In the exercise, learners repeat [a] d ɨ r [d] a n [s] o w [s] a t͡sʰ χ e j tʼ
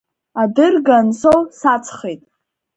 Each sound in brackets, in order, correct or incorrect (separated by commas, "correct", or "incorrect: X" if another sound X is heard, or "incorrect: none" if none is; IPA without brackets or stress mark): correct, incorrect: ɡ, correct, correct